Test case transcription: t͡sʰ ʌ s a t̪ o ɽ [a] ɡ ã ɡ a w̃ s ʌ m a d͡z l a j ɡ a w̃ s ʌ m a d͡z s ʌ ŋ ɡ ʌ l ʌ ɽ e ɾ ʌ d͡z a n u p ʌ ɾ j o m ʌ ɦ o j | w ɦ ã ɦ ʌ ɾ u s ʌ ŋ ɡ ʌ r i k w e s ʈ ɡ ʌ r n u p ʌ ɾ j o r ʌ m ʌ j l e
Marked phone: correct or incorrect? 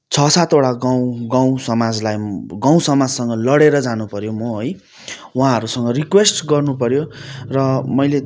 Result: correct